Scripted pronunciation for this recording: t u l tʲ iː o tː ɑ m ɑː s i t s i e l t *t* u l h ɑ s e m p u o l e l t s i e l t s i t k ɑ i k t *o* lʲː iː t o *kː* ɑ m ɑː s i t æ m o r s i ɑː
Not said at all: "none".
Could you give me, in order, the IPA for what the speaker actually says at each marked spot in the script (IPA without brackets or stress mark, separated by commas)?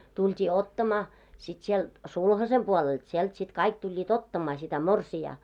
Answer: s, u, tː